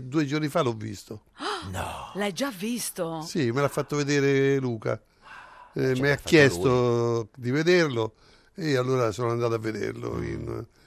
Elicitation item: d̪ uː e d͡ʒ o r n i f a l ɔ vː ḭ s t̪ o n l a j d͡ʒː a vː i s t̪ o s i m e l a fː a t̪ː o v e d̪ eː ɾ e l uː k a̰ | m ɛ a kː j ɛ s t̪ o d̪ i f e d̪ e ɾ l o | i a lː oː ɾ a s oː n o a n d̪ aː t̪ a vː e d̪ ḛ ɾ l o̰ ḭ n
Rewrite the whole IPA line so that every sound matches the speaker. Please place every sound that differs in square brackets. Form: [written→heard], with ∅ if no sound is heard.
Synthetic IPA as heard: d̪ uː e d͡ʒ o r n i f a l ɔ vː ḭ s t̪ o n l a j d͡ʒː a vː i s t̪ o s i m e l a fː a t̪ː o v e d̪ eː ɾ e l uː k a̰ | m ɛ a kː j ɛ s t̪ o d̪ i [f→v] e d̪ e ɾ l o | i a lː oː ɾ a s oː n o a n d̪ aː t̪ a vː e d̪ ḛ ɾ l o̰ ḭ n